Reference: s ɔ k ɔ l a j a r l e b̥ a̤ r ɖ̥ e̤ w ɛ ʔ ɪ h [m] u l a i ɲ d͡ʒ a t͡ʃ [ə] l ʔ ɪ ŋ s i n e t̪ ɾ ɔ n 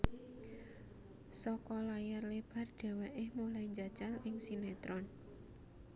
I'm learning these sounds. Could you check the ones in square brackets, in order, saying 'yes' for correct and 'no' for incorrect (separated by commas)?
yes, no